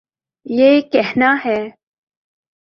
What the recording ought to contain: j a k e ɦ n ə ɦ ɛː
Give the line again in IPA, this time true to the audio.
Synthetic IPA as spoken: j e k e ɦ n a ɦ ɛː